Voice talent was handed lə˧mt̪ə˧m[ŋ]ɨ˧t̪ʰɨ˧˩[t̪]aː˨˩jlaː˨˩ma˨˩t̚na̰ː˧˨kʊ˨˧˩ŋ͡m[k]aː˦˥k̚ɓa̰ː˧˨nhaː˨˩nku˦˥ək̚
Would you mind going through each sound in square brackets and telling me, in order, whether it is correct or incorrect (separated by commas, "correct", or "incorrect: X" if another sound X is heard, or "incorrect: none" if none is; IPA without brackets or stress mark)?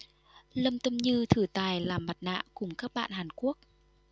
incorrect: ɲ, correct, correct